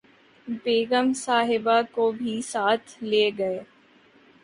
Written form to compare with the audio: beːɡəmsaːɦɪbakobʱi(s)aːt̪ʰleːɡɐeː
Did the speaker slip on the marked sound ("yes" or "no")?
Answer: no